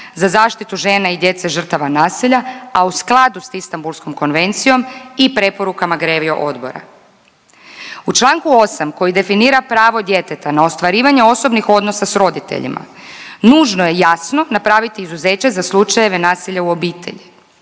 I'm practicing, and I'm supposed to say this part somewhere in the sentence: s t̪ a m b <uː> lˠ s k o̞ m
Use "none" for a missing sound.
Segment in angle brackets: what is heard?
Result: u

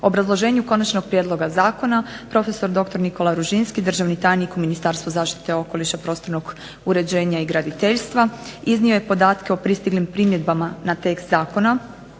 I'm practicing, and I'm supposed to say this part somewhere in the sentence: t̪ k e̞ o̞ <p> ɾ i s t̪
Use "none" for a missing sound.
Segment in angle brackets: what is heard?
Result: p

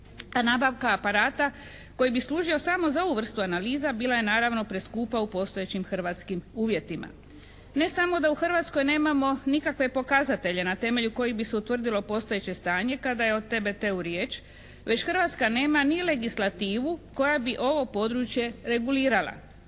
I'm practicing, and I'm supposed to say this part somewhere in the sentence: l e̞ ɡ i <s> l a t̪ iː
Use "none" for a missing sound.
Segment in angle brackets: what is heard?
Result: s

